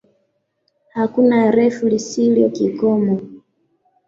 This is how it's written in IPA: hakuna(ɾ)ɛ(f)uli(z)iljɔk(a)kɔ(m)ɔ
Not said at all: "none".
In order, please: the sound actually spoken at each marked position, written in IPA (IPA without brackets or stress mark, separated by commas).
ɾ, f, s, i, m